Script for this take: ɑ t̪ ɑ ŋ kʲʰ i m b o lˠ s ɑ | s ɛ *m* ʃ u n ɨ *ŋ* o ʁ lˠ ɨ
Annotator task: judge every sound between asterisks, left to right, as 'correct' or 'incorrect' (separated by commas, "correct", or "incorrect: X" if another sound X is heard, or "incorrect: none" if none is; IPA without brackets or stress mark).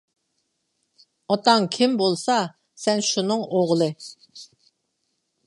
incorrect: n, correct